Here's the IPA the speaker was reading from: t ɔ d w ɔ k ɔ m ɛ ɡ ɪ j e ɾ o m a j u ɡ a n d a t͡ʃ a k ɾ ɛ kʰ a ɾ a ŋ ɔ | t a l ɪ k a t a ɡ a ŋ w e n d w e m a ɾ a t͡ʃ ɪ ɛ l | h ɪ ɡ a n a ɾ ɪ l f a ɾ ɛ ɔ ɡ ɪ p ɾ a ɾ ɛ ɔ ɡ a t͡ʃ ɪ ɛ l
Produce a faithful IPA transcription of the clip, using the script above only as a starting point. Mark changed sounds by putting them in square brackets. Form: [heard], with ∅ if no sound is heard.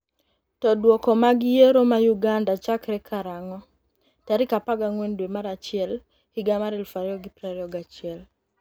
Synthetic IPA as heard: t ɔ d w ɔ k ɔ m [a] ɡ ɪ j e ɾ o m a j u ɡ a n d a t͡ʃ a k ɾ ɛ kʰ a ɾ a ŋ ɔ | t a [ɾ] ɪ k a [p] a ɡ a ŋ w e n d w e m a ɾ a t͡ʃ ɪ ɛ l | h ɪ ɡ a [m] a ɾ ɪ l f a ɾ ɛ ɔ ɡ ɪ p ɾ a ɾ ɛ ɔ ɡ a t͡ʃ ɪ ɛ l

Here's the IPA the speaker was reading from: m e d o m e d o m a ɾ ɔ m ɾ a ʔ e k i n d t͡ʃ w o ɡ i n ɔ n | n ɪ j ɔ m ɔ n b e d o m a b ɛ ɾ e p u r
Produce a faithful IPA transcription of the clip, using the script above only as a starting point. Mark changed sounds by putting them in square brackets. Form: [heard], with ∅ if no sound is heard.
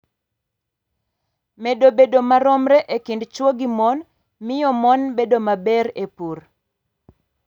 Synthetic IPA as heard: m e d o [b] e d o m a ɾ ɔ m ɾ [ɛ] ʔ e k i n d t͡ʃ w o ɡ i [m] ɔ n | [m] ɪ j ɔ m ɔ n b e d o m a b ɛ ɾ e p u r

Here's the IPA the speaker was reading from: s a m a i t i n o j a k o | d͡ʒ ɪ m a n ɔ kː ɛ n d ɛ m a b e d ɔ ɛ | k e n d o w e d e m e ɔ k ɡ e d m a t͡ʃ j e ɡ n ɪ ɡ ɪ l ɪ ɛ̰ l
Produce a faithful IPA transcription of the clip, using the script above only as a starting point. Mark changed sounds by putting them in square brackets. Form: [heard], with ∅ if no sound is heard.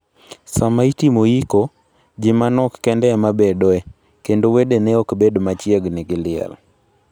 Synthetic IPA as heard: s a m a i t i [m] o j [i] k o | d͡ʒ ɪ m a n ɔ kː ɛ n d ɛ m a b e d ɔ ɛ | k e n d o w e d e [n] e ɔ k [b] e d m a t͡ʃ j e ɡ n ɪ ɡ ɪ l ɪ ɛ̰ l

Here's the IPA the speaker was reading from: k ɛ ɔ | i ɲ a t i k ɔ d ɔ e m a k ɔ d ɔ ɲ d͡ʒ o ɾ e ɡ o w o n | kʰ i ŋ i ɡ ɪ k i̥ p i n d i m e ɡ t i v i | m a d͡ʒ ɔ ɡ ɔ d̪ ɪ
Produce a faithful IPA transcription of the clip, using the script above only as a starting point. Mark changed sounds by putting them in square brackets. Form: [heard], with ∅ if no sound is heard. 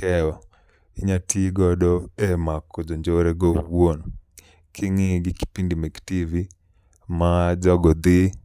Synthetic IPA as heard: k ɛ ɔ | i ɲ a t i [ɡ] ɔ d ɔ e m a k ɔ [d͡ʒ] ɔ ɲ d͡ʒ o ɾ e ɡ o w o n | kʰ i ŋ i ɡ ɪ k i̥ p i n d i m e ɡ t i v i | m a d͡ʒ ɔ ɡ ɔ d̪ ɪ

